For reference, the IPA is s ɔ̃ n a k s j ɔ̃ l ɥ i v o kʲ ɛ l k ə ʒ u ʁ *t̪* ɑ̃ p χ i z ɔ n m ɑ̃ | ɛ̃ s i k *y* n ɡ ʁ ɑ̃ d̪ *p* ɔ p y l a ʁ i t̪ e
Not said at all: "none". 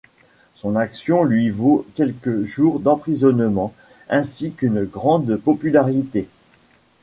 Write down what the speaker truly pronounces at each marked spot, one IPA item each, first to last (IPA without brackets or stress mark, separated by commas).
d̪, y, p